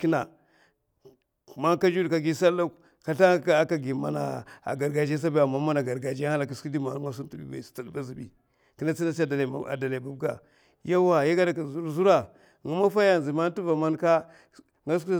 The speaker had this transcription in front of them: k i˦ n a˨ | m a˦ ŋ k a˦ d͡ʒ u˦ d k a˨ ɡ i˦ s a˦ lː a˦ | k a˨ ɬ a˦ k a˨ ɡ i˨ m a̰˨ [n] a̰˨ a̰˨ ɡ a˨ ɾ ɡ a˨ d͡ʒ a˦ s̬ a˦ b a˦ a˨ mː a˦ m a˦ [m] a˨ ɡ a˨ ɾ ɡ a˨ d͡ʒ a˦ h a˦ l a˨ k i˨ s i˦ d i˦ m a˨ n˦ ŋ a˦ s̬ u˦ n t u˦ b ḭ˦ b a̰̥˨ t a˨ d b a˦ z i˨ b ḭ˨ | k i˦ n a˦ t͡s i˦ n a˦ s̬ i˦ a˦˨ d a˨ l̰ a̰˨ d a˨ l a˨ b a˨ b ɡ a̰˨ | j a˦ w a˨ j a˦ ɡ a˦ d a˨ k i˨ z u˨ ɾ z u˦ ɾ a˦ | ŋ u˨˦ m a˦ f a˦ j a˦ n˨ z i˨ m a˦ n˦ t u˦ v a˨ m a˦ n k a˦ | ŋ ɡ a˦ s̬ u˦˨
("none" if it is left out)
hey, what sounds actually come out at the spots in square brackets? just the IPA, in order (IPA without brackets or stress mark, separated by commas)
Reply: n, n